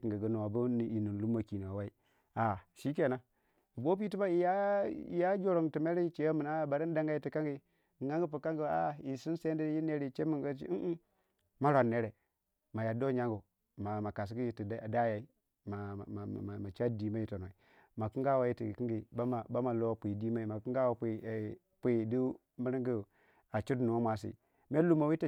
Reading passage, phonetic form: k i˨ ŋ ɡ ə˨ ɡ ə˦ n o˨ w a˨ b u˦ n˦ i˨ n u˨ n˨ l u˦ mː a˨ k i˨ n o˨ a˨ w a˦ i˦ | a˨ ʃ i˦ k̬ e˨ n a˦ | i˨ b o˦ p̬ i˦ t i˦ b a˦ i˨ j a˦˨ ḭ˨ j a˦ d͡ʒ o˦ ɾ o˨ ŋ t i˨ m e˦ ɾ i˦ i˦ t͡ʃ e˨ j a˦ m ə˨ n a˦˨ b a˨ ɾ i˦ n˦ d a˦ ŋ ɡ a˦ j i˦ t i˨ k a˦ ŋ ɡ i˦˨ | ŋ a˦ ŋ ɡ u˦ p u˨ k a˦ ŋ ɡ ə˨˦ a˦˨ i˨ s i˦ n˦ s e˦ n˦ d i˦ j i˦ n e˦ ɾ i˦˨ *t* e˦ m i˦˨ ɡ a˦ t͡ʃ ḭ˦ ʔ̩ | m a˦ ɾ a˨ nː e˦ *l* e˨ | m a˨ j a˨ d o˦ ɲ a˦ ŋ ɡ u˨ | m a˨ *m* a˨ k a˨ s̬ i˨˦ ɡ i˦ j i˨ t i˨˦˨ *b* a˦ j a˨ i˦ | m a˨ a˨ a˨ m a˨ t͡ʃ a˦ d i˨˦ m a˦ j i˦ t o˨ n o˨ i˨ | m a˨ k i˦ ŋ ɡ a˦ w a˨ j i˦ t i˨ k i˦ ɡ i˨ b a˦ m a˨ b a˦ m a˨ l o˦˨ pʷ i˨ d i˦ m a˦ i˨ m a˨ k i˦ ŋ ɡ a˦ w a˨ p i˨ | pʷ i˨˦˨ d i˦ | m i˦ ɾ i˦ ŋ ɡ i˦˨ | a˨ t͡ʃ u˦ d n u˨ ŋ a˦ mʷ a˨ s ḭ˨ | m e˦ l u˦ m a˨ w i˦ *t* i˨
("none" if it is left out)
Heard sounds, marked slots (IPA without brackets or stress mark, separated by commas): t͡ʃ, ɾ, m, d, t